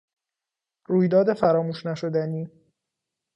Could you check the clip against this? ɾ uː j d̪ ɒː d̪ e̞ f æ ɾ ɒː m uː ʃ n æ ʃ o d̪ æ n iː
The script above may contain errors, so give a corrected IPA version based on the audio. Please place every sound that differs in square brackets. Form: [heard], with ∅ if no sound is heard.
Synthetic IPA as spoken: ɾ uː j d̪ ɒː d̪ e̞ f æ ɾ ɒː m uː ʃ n æ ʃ o d̪ æ n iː